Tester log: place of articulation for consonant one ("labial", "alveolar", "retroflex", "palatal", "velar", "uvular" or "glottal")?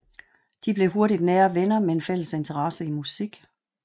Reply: alveolar